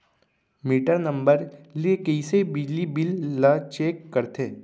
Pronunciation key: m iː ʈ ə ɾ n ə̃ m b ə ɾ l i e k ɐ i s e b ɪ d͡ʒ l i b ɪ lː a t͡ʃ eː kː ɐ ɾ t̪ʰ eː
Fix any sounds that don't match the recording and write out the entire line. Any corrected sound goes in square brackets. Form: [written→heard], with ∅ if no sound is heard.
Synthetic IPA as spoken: m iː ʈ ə ɾ n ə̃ m b ə ɾ l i e k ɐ i s e b ɪ d͡ʒ l i b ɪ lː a t͡ʃ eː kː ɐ ɾ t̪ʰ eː

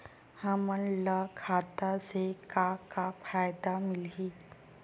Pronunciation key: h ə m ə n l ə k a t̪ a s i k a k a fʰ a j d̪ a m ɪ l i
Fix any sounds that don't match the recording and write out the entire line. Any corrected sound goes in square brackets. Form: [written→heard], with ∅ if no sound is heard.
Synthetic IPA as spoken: h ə m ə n l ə [k→kʰ] a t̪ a s [i→e] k a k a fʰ a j d̪ a m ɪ l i

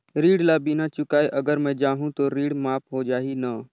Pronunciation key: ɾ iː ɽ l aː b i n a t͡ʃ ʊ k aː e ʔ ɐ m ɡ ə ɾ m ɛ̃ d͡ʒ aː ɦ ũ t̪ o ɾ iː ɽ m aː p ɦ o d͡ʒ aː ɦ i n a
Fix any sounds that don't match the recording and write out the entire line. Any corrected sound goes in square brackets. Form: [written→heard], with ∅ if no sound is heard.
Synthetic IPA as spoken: ɾ iː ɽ l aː b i n a t͡ʃ ʊ k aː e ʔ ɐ [m→∅] ɡ ə ɾ m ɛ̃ d͡ʒ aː ɦ ũ t̪ o ɾ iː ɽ m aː p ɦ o d͡ʒ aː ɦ i n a

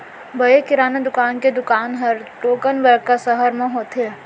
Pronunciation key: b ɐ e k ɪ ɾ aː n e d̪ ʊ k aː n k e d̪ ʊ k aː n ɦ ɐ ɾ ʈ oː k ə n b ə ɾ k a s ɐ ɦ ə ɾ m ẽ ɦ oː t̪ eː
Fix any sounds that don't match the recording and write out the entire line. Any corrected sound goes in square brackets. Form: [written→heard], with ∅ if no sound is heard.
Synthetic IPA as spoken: b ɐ e k ɪ ɾ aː n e d̪ ʊ k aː n k e d̪ ʊ k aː n ɦ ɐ ɾ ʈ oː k ə n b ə ɾ k a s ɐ ɦ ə ɾ m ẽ ɦ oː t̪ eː

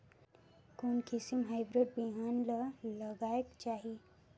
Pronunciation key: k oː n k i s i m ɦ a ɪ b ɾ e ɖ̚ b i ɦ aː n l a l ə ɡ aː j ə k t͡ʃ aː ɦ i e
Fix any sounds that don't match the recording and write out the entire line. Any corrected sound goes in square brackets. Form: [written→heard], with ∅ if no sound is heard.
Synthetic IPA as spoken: k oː n k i s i m ɦ a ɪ b ɾ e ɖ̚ b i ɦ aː n l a l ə ɡ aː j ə k t͡ʃ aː ɦ i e

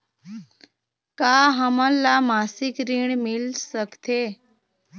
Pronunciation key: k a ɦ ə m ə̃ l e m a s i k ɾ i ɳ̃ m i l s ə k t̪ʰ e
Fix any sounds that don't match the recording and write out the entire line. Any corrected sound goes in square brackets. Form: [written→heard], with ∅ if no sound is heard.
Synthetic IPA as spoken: k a ɦ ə m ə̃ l [e→a] m a s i k ɾ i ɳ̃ m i l s ə k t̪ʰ e

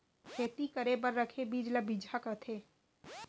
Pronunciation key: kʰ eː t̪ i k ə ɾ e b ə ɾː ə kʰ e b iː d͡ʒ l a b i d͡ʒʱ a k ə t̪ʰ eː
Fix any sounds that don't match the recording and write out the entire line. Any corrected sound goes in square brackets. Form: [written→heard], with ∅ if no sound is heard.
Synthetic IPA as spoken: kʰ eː t̪ i k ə ɾ e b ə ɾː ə kʰ e b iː d͡ʒ l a b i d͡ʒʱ a k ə t̪ʰ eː

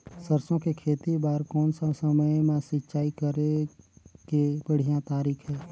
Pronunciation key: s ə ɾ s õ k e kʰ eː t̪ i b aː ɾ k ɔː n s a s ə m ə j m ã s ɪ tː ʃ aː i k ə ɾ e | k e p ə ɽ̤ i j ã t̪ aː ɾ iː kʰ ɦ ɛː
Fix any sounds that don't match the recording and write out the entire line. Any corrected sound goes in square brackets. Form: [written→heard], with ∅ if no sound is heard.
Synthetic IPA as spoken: s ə ɾ s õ k e kʰ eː t̪ i b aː ɾ k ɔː n s a s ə m ə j m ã s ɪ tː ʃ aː i k ə ɾ e | k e [p→b] ə ɽ̤ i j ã t̪ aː ɾ iː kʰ ɦ ɛː

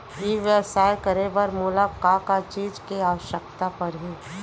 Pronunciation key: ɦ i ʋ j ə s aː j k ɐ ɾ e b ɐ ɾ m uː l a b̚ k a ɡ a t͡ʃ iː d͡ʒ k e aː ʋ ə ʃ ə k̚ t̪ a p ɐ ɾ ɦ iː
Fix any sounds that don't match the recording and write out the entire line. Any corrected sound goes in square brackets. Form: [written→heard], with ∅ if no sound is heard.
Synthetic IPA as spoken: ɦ i ʋ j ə s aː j k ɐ ɾ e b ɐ ɾ m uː l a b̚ k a [ɡ→k] a t͡ʃ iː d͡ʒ k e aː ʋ ə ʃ ə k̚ t̪ a p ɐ ɾ ɦ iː

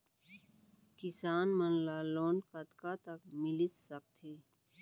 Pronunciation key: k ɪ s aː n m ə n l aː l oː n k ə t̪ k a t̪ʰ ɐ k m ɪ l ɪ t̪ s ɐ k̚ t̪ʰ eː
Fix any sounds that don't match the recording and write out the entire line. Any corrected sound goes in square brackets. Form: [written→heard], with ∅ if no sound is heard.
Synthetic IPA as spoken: k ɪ s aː n m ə n l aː l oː n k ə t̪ k a [t̪ʰ→t̪] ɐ k m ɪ l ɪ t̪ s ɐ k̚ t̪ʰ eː

